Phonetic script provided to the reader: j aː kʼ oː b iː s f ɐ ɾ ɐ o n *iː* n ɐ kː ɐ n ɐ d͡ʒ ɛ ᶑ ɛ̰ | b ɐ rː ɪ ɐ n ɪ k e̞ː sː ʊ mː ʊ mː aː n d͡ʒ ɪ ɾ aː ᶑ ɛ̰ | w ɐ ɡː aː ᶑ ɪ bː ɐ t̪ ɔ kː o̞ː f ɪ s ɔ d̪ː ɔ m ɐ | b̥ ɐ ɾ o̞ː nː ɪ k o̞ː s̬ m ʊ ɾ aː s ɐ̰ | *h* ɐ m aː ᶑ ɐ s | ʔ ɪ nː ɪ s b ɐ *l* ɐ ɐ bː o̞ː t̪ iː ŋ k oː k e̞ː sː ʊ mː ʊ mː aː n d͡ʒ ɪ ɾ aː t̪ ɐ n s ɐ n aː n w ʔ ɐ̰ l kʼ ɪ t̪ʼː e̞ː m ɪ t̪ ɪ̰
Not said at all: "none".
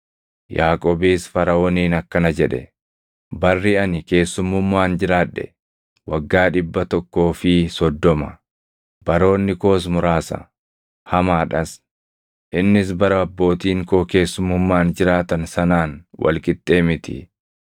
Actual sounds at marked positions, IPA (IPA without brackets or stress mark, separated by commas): iː, h, ɾ